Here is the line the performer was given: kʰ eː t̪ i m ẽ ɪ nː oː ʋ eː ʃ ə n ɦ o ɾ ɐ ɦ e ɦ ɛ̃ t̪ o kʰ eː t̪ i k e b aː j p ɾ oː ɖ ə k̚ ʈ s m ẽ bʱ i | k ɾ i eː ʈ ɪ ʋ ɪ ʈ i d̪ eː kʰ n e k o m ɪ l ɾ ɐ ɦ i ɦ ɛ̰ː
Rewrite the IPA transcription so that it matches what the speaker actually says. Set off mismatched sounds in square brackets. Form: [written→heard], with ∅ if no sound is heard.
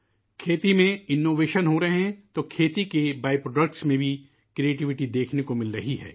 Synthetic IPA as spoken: kʰ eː t̪ i m ẽ ɪ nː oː ʋ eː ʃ ə n ɦ o ɾ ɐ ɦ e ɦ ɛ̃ t̪ o kʰ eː t̪ i k e b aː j p ɾ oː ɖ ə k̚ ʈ s m ẽ bʱ i | k ɾ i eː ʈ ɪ ʋ ɪ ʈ i d̪ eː kʰ n e k o m ɪ l ɾ ɐ ɦ i ɦ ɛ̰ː